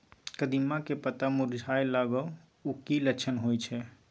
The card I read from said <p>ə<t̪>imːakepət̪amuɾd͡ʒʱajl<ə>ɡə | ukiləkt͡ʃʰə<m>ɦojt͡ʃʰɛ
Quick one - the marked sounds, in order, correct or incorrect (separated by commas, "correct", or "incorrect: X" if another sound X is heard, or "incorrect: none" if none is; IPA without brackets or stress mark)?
incorrect: k, incorrect: d̪, incorrect: a, incorrect: n